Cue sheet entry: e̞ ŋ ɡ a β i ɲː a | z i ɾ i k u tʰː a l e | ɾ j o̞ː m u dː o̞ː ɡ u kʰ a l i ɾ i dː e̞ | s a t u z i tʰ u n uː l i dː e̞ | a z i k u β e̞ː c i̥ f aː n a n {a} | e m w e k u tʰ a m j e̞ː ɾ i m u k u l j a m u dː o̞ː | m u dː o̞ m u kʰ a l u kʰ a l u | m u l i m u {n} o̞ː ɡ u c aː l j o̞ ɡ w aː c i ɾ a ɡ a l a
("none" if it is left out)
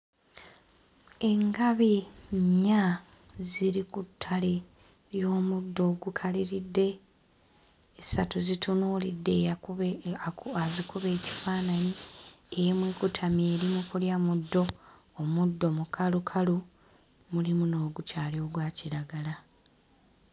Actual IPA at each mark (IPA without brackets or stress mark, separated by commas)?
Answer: i, n